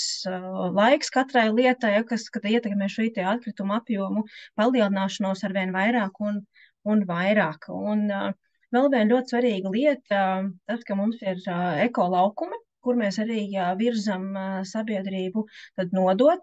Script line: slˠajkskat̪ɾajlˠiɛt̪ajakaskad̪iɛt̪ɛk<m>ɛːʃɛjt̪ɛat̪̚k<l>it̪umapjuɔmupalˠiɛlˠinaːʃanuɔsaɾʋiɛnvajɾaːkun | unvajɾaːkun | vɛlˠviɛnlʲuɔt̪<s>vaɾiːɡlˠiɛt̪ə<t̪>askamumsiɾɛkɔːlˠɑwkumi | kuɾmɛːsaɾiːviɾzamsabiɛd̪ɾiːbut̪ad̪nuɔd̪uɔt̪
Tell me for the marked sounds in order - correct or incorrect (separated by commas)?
correct, incorrect, correct, correct